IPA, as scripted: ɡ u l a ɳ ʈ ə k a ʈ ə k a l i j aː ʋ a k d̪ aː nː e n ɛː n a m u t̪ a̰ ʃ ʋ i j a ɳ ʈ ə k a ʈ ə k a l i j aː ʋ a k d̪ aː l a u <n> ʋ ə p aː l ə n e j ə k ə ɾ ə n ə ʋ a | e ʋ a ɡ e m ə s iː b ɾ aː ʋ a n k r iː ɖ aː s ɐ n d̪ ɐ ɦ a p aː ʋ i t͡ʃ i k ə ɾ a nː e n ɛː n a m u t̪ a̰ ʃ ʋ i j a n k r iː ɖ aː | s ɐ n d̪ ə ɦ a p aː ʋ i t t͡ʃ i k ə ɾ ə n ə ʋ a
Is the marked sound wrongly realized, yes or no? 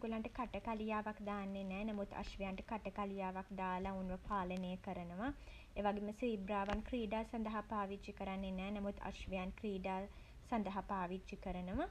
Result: no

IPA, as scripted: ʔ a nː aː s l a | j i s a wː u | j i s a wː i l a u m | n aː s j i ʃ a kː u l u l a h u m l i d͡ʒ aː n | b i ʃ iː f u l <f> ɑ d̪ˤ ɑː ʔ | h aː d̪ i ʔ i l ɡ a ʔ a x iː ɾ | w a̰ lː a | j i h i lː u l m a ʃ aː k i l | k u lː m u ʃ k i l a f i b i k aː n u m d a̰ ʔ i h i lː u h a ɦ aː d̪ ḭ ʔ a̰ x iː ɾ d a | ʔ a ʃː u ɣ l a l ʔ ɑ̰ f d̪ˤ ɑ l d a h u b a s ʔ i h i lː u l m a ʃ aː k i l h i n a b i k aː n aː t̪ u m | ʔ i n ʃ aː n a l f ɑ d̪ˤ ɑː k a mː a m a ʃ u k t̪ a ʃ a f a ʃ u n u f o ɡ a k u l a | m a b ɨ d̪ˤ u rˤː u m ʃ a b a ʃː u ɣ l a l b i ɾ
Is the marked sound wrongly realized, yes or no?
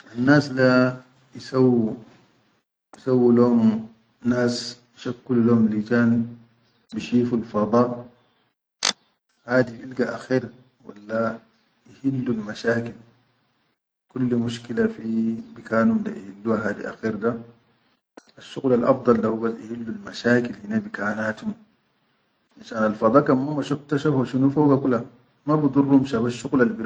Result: no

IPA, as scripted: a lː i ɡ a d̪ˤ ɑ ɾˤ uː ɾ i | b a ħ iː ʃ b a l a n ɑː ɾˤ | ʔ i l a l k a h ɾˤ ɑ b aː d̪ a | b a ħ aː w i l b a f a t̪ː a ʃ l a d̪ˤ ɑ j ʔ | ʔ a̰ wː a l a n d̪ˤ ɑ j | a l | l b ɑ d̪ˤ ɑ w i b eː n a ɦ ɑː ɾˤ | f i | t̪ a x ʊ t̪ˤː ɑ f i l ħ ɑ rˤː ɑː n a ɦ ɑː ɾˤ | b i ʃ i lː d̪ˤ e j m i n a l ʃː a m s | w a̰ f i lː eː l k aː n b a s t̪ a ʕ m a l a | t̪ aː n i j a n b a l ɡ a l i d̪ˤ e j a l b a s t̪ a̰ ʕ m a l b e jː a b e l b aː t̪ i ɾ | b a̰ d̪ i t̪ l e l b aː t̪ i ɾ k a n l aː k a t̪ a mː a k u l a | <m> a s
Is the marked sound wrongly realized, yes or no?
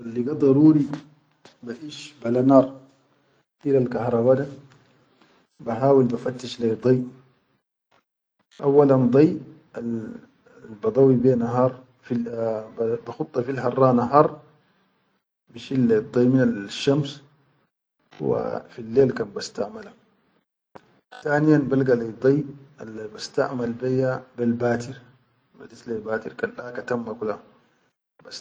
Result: yes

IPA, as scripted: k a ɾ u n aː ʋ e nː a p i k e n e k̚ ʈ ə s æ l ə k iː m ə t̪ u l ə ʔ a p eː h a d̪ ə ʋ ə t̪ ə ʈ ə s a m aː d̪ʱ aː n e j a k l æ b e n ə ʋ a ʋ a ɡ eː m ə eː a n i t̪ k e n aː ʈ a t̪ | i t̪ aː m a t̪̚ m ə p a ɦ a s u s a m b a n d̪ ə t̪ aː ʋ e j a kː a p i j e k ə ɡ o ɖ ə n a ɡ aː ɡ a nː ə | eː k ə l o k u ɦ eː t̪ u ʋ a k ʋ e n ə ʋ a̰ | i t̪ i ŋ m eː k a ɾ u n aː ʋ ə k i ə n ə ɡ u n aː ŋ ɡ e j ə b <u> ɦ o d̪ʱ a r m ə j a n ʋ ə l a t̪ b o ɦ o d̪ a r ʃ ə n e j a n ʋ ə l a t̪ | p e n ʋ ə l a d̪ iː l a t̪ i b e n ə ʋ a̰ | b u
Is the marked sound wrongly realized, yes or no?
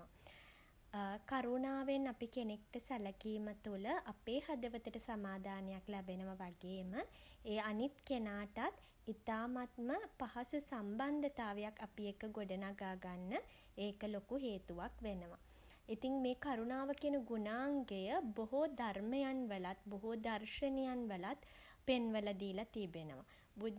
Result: yes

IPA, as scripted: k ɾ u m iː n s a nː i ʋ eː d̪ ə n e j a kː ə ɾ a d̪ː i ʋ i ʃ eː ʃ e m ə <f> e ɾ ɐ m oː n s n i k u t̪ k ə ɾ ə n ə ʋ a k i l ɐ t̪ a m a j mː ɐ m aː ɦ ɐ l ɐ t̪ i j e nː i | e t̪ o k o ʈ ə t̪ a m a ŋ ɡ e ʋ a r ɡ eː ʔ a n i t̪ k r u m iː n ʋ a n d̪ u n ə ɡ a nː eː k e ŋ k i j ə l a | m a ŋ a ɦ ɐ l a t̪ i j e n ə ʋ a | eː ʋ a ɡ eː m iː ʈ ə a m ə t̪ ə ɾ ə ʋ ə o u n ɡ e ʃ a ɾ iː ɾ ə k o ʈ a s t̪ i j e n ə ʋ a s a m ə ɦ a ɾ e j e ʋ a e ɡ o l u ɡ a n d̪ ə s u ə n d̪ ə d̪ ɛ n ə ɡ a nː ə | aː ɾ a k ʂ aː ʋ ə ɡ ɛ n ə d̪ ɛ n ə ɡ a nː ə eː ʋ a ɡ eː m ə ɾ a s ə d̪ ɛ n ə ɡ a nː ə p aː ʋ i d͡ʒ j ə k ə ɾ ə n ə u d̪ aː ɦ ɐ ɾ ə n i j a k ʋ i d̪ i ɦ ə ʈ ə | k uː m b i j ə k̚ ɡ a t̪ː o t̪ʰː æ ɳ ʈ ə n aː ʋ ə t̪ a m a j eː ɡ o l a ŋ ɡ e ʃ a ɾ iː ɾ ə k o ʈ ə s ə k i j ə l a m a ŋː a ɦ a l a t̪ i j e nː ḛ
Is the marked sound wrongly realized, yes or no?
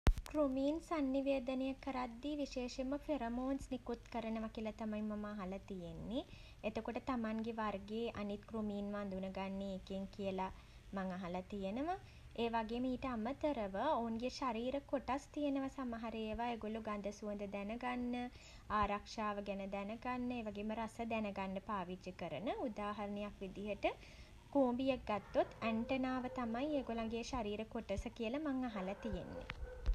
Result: no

